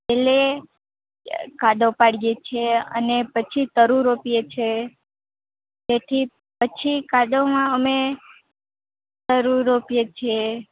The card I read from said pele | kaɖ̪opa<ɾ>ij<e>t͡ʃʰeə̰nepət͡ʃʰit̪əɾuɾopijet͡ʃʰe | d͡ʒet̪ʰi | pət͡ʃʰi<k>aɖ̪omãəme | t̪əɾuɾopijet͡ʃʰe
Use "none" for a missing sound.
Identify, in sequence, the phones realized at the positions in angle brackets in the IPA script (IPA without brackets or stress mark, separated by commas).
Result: ɽ, e, k